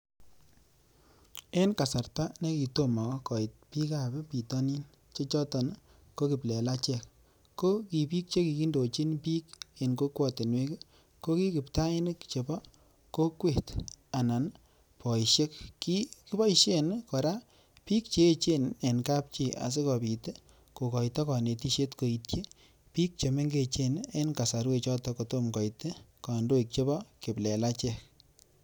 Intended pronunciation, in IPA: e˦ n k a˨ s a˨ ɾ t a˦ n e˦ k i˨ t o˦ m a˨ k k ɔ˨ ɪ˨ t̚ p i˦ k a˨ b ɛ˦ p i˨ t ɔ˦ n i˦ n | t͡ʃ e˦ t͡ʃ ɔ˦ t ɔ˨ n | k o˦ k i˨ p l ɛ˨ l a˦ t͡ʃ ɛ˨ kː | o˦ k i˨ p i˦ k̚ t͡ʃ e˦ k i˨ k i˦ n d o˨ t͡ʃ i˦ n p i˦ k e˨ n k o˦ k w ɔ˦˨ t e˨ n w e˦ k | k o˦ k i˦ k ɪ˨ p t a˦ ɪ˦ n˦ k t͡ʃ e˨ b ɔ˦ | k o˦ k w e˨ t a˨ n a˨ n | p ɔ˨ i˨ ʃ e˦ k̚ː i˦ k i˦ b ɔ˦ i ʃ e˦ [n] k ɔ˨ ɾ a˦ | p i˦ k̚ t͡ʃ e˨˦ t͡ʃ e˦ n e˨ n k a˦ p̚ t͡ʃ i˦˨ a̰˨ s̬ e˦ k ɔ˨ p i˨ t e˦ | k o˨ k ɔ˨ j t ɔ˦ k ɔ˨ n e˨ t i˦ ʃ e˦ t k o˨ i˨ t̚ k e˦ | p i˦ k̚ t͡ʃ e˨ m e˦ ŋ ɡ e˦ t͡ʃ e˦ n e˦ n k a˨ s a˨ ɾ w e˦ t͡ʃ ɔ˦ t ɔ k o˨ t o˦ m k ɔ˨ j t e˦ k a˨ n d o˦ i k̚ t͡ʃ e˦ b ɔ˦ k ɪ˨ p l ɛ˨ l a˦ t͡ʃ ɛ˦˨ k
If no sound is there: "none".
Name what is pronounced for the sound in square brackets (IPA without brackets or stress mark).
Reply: n